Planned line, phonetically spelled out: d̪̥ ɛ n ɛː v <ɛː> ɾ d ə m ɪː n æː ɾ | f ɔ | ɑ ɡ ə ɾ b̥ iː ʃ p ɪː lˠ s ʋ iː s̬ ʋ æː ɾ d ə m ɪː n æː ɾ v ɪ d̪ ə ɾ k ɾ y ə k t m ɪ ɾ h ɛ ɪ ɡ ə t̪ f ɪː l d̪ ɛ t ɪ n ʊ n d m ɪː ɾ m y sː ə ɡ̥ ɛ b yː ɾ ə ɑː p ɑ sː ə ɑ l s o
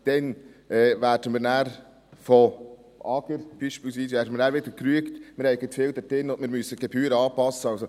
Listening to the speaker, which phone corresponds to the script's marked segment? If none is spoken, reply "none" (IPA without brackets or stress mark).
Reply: æː